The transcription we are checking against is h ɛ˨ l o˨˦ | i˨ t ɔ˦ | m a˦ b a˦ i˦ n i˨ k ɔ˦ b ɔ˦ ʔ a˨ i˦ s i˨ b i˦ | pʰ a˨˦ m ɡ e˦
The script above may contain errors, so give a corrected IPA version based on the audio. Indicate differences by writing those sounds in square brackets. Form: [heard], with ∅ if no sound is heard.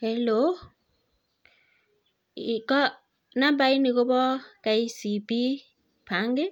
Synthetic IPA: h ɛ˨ l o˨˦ | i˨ [k] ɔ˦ | [n] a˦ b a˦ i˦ n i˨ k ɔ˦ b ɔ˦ [k] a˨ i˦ s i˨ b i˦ | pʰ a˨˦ [ŋ] ɡ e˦